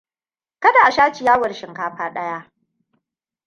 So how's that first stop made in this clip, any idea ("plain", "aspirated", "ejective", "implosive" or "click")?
plain